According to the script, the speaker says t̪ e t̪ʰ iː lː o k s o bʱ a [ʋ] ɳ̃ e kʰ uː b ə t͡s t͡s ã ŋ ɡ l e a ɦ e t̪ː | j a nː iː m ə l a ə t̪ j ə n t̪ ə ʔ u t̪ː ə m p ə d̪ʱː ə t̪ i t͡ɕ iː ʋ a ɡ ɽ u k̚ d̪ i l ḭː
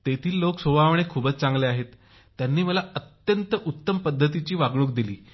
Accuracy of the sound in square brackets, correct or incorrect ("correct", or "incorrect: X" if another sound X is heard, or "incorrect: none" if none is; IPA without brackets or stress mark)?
correct